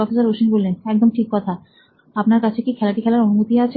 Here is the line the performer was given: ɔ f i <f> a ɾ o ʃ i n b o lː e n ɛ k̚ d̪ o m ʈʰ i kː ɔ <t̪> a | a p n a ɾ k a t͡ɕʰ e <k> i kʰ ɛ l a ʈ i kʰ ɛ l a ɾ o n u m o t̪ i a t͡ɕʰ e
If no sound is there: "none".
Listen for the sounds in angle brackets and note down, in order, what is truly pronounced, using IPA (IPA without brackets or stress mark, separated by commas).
s, t̪ʰ, k